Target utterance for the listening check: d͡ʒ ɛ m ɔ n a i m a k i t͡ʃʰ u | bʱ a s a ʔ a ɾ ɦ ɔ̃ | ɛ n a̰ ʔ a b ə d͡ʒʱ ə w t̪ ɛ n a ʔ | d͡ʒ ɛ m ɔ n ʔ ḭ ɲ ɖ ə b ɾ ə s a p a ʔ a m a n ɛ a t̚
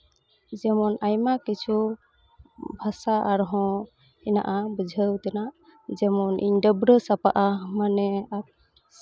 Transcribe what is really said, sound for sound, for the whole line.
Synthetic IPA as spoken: d͡ʒ ɛ m ɔ n a j m a k i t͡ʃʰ u | bʱ a s a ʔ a ɾ ɦ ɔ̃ | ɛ n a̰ ʔ a b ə d͡ʒʱ ə w t̪ ɛ n a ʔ | d͡ʒ ɛ m ɔ n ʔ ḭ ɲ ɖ ə b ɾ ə s a p a ʔ a m a n ɛ a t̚